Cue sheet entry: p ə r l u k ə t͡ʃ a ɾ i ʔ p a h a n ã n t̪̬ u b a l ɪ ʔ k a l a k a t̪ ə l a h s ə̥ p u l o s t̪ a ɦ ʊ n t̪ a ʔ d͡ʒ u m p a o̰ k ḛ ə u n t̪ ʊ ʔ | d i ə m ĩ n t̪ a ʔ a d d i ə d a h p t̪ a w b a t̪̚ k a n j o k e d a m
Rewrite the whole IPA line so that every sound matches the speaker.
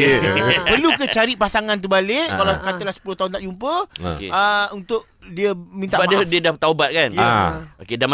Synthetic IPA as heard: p ə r l u k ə t͡ʃ a ɾ i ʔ p a s a ŋ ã n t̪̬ u b a l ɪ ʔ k a l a k a t̪ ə l a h s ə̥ p u l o h t̪ a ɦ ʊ n t̪ a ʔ d͡ʒ u m p ə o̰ k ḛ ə u n t̪ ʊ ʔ | d i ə m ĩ n t̪ a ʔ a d d i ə d a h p t̪ a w b a t̪̚ k a n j o k e d a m